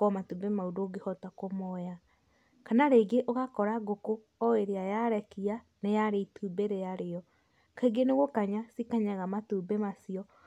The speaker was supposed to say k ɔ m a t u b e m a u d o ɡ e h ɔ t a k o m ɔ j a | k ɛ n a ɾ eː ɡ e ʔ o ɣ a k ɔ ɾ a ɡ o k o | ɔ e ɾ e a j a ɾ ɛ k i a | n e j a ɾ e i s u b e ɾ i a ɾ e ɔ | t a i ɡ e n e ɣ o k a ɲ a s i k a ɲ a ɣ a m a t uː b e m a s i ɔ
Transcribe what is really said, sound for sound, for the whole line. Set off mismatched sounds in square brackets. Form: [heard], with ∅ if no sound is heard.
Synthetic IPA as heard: k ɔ m a t u b e m a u d o ɡ e h ɔ t a k o m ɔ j a | k [a] n a ɾ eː ɡ e ʔ o ɣ a k ɔ ɾ a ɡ o k o | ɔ e ɾ e a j a ɾ ɛ k i a | n e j a ɾ e i [t] u b e ɾ [e] a ɾ e ɔ | [k] a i ɡ e n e ɣ o k a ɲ a s i k a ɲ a ɣ a m a t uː b e m a s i ɔ